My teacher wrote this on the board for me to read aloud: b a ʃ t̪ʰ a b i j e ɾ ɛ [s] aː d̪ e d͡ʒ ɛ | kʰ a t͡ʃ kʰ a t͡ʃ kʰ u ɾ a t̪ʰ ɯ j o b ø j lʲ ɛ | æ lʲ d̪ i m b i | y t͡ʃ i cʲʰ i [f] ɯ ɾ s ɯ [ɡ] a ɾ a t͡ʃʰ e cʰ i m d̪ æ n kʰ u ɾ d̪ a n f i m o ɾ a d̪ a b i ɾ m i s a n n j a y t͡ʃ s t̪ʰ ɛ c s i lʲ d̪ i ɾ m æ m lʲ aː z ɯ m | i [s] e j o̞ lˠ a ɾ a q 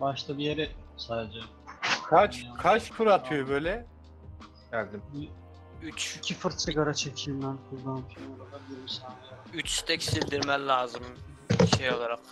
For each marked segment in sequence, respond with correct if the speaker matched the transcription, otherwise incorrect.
correct, correct, correct, incorrect: ʃ

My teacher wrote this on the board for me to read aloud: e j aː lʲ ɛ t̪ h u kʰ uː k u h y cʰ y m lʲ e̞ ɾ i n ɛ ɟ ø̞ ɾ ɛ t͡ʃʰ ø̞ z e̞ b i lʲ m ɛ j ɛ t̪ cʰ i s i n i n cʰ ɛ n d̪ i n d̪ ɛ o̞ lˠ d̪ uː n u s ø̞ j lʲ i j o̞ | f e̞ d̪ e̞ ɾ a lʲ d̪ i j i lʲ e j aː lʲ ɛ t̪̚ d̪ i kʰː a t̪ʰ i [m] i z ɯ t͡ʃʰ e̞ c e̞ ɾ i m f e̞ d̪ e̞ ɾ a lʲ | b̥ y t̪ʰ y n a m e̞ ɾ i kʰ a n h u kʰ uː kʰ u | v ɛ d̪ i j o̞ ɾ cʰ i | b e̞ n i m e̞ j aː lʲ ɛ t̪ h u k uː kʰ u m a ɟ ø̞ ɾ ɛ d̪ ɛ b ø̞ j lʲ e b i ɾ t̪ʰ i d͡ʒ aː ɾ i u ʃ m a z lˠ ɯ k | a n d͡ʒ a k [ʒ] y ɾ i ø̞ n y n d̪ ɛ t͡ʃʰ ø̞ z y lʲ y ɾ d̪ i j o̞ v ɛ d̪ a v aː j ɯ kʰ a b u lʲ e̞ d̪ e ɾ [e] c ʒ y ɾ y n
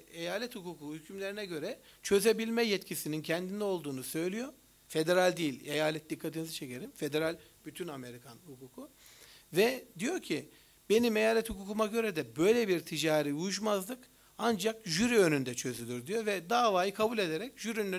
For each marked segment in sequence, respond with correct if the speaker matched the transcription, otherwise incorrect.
incorrect: n, correct, incorrect: ɛ

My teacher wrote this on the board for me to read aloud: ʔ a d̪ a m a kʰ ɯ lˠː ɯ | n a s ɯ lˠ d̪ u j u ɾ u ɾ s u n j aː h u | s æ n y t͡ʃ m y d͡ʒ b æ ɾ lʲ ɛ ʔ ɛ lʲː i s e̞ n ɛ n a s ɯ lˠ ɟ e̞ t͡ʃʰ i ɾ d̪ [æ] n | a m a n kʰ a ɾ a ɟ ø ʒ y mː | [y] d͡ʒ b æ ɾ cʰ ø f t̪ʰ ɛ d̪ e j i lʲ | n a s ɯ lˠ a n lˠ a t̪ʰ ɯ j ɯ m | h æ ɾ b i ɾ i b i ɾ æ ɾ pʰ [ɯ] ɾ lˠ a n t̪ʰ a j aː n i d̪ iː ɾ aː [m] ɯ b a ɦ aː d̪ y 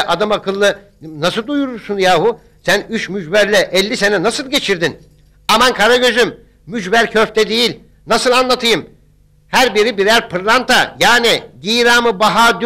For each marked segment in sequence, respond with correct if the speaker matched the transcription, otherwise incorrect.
incorrect: i, correct, correct, correct

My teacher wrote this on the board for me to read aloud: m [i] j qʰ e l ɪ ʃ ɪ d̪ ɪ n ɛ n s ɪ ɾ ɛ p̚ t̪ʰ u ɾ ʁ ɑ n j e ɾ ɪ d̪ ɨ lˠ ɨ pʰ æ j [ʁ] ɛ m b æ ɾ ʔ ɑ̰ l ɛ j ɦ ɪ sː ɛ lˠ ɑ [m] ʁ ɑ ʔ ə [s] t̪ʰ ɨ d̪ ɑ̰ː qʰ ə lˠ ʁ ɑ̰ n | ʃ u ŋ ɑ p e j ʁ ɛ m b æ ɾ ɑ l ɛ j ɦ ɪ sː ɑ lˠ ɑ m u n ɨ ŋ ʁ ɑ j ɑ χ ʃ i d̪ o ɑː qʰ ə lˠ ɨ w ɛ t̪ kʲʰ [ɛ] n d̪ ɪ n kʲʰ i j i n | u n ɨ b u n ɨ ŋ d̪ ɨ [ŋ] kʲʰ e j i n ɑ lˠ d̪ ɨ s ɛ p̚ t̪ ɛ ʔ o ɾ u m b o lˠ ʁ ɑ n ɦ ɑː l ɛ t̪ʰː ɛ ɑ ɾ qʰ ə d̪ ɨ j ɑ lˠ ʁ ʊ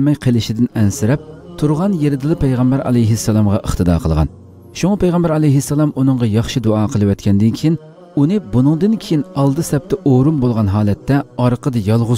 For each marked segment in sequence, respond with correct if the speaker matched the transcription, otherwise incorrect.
incorrect: ɛ, correct, correct, incorrect: χ, correct, incorrect: n

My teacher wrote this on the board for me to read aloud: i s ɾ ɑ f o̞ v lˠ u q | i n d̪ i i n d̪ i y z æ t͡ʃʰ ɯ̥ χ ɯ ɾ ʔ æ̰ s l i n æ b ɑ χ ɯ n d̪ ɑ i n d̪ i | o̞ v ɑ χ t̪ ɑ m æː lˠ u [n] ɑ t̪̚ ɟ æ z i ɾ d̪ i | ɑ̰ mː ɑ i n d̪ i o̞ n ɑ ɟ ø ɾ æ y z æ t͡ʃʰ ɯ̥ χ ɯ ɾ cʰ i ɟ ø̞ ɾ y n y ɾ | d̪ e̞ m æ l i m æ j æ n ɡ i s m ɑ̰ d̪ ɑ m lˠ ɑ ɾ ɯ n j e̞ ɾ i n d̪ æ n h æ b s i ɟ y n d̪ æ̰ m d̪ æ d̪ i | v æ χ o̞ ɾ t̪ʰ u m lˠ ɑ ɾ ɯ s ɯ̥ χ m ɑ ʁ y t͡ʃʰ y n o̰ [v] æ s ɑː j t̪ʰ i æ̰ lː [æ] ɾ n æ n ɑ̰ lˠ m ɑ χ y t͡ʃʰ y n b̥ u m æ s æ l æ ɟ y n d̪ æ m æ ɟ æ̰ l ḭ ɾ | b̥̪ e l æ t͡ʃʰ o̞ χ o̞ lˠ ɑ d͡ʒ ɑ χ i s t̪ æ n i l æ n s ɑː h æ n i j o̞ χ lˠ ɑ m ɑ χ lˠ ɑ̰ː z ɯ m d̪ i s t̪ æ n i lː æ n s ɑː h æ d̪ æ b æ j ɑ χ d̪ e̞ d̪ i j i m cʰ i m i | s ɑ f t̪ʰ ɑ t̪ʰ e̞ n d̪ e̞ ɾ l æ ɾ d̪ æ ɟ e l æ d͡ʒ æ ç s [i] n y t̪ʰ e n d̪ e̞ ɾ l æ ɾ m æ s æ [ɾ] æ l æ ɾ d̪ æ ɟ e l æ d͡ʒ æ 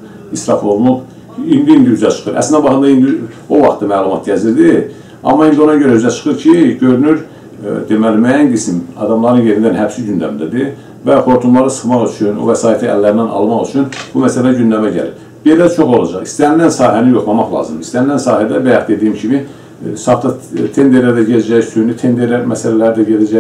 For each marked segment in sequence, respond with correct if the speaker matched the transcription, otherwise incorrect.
incorrect: m, correct, correct, incorrect: y, incorrect: l

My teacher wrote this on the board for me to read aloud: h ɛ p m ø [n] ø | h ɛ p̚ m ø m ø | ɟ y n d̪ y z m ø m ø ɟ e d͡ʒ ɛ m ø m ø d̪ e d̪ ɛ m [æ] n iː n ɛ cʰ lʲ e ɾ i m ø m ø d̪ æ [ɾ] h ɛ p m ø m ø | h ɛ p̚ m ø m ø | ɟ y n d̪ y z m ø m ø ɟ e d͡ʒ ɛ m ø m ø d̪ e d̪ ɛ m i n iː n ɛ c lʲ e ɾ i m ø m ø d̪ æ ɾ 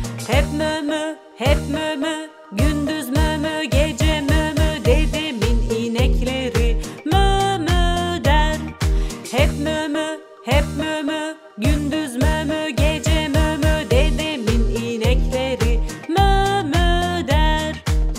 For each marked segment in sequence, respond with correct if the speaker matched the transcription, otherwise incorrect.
incorrect: m, incorrect: i, correct

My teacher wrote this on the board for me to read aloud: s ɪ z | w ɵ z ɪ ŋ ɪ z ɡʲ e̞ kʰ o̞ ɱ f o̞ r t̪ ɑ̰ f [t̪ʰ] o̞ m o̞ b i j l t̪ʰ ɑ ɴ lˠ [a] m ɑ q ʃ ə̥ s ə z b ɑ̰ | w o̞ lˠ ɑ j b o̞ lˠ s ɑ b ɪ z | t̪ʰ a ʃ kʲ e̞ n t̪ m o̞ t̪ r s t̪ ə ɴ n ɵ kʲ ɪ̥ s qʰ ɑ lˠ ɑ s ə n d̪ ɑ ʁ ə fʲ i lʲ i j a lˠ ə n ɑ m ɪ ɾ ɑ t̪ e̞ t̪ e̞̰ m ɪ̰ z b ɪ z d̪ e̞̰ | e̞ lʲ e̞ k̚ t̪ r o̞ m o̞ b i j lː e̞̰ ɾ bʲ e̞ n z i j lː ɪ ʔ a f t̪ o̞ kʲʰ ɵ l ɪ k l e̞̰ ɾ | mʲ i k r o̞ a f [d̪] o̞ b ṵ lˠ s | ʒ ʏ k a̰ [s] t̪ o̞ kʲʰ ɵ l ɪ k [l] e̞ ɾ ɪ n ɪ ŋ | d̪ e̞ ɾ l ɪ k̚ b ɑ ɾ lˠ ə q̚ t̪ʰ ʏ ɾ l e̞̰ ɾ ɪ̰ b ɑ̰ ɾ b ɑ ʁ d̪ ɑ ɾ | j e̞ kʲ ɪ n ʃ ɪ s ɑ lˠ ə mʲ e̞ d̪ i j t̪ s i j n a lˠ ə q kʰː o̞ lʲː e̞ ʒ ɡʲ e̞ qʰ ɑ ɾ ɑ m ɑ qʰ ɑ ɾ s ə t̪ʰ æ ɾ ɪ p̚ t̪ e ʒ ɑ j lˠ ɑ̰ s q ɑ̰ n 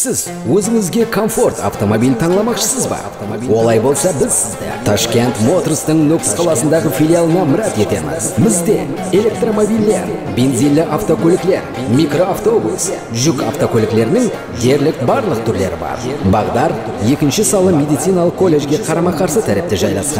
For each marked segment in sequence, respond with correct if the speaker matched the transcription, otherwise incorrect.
incorrect: t̪, incorrect: ɑ, incorrect: t̪, incorrect: f, correct

